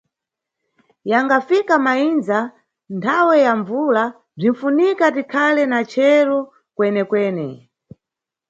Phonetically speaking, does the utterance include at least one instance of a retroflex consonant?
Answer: yes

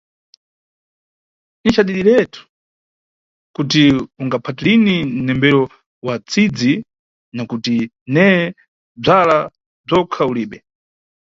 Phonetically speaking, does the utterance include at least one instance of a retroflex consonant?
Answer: yes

